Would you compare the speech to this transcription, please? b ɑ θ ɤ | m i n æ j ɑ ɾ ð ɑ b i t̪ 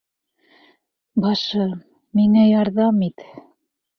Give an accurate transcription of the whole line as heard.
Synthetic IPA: b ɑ ʃ ɤ | m i ŋ æ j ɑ ɾ ð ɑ m i t̪